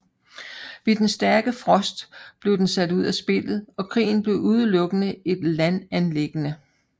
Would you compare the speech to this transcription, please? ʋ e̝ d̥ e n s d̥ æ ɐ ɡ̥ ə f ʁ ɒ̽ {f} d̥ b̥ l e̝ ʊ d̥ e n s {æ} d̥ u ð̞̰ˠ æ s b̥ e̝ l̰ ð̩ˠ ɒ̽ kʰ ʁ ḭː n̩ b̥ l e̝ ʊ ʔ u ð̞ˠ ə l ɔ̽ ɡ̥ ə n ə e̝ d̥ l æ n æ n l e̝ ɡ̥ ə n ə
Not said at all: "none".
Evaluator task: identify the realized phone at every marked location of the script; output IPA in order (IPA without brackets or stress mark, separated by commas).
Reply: s, æ